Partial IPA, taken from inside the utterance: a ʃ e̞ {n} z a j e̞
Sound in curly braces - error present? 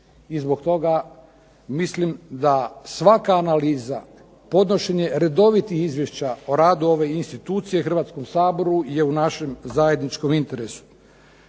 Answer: yes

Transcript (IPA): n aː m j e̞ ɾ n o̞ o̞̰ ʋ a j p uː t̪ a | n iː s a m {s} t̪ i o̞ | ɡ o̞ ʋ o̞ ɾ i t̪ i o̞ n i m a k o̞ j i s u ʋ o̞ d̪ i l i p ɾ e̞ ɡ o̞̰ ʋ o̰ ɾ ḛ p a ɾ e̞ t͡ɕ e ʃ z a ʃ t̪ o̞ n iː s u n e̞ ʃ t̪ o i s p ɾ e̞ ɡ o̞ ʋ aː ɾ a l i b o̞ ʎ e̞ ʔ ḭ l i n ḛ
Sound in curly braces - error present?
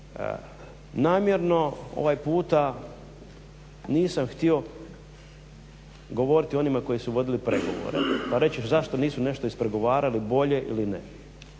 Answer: yes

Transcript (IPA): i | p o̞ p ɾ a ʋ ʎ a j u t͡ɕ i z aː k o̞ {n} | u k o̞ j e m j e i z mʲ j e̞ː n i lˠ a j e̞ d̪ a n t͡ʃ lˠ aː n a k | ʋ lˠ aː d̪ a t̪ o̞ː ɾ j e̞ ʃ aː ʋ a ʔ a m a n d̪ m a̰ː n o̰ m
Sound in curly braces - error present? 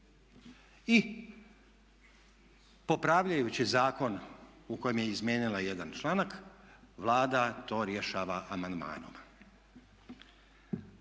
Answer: no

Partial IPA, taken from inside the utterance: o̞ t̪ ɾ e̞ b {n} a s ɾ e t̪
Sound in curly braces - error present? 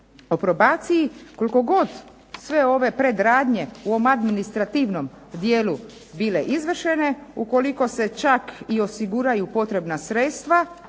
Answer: no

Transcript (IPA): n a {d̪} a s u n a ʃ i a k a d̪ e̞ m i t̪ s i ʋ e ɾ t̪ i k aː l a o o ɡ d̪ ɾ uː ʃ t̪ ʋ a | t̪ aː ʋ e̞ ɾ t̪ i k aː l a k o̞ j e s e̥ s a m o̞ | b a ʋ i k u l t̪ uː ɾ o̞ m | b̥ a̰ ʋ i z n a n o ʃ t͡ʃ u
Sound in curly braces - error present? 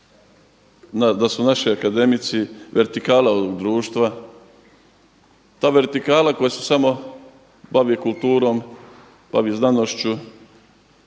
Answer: no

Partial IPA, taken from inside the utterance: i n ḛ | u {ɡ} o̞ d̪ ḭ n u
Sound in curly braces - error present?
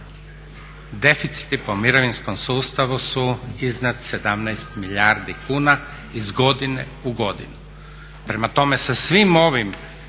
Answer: no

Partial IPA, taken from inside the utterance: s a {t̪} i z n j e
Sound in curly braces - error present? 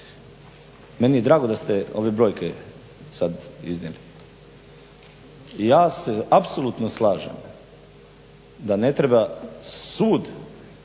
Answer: yes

